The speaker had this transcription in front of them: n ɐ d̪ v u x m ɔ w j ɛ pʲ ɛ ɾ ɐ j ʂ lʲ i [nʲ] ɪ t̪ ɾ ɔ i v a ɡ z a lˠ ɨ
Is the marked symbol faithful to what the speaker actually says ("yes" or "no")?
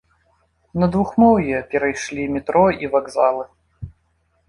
no